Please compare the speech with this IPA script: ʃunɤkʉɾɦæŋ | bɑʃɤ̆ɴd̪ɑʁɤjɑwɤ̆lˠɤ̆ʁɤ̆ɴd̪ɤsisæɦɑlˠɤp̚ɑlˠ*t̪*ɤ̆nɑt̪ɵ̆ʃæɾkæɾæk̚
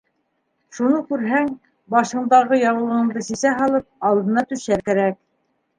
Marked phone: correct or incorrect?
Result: incorrect: d̪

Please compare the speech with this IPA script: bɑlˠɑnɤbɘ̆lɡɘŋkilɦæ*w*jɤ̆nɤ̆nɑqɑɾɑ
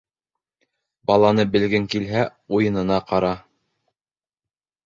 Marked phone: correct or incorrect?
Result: incorrect: u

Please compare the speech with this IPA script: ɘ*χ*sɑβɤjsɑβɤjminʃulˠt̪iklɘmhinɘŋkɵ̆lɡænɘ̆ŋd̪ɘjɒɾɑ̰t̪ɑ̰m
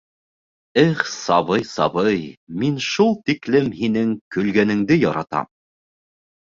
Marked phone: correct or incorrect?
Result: correct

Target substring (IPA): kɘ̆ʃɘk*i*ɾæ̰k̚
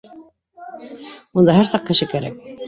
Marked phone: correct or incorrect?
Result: incorrect: æ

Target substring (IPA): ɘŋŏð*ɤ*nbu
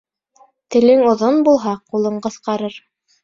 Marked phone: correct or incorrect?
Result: incorrect: o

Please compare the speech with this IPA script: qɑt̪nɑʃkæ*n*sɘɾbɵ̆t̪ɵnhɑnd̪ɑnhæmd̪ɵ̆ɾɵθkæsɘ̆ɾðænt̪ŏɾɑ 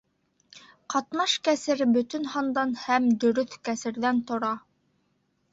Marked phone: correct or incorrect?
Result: incorrect: none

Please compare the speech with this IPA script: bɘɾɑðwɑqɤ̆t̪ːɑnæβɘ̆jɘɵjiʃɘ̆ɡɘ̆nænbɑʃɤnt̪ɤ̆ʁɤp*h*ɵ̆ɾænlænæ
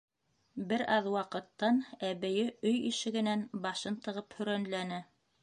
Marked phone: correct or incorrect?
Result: correct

